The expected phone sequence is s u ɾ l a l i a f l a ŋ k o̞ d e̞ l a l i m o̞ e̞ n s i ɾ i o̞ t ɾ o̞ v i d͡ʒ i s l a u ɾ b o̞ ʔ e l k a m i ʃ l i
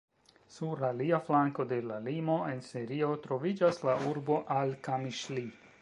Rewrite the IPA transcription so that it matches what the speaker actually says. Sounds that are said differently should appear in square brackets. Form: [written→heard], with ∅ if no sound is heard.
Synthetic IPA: s u ɾ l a l i a f l a ŋ k o̞ d e̞ l a l i m o̞ e̞ n s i ɾ i o̞ t ɾ o̞ v i d͡ʒ [i→a] s l a u ɾ b o̞ ʔ [e→a] l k a m i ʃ l i